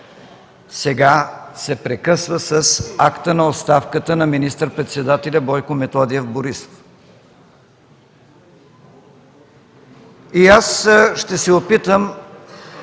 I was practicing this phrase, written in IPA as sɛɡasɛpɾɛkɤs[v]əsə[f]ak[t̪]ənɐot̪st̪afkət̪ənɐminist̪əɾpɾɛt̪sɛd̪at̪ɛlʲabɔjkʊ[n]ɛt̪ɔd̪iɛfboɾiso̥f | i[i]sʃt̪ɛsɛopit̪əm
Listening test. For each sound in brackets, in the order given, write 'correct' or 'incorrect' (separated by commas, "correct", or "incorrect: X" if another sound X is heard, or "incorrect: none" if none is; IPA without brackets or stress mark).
correct, incorrect: s, correct, incorrect: m, incorrect: a